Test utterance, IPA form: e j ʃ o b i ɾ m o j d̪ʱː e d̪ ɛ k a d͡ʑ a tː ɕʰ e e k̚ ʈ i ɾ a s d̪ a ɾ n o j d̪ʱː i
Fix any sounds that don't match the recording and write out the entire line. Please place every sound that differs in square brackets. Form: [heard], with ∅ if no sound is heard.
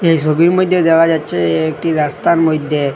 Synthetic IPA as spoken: e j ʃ o b i ɾ m o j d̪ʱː e d̪ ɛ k a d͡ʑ a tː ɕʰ e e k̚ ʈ i ɾ a s [t̪] a ɾ [m] o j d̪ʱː [e]

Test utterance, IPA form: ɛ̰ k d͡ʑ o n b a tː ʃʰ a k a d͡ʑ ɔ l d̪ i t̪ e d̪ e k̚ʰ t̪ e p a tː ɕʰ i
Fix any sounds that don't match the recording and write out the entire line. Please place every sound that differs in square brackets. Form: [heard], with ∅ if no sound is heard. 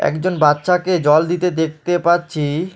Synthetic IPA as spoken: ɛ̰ k d͡ʑ o n b a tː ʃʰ a k [e] d͡ʑ ɔ l d̪ i t̪ e d̪ e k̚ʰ t̪ e p a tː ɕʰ i

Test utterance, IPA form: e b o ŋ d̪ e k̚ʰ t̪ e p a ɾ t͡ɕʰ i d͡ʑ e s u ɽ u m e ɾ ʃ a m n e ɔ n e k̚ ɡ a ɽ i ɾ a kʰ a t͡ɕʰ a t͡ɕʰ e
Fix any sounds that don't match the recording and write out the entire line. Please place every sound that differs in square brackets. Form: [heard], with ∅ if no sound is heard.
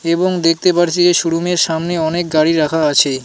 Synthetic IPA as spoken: e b o ŋ d̪ e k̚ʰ t̪ e p a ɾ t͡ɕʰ i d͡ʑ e [ʃ] u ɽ u m e ɾ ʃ a m n e ɔ n e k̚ ɡ a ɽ i ɾ a kʰ a [∅] a t͡ɕʰ e

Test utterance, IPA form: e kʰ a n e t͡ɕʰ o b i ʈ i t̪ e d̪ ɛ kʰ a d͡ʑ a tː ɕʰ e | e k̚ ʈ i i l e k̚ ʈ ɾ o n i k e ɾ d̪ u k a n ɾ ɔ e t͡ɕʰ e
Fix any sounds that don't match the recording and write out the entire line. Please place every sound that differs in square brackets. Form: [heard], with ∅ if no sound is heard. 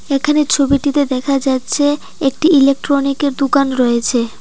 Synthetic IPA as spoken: e kʰ a n e t͡ɕʰ o b i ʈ i t̪ e d̪ ɛ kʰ a d͡ʑ a tː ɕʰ e | e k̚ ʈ i i l e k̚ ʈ ɾ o n i k e ɾ d̪ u k a n ɾ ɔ e t͡ɕʰ e

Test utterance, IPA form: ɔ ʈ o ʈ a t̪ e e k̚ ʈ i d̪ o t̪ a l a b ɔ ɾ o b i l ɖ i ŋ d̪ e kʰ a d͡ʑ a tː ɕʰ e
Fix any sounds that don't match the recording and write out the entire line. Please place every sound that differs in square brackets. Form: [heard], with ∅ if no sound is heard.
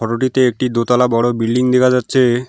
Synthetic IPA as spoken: ɔ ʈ o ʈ [i] t̪ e e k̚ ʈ i d̪ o t̪ a l a b ɔ [ɽ] o b i l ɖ i ŋ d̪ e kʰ a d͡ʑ a tː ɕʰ e

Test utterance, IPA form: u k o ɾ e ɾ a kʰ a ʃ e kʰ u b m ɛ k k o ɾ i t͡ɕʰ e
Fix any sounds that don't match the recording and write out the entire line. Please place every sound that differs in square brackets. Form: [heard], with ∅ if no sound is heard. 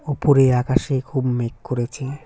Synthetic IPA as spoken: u [p] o ɾ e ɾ a [k] a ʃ e kʰ u b m [e] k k o ɾ [e] t͡ɕʰ e

